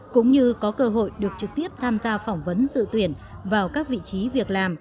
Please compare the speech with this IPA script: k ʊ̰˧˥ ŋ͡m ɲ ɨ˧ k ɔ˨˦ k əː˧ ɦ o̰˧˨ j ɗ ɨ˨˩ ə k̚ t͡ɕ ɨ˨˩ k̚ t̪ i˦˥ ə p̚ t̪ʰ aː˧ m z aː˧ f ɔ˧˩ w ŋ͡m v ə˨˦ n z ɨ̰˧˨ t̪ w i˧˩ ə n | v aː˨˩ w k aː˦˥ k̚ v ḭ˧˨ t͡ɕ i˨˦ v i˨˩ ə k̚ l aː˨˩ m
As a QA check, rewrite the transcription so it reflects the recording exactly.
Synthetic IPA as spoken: k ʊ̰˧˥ ŋ͡m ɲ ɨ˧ k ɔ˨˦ k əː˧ ɦ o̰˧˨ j ɗ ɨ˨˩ ə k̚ t͡ɕ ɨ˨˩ k̚ t̪ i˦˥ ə p̚ t̪ʰ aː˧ m z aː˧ f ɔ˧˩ w ŋ͡m v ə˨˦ n z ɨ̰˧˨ t̪ w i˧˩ ə n | v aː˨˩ w k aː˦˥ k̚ v ḭ˧˨ t͡ɕ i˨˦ v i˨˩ ə k̚ l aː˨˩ m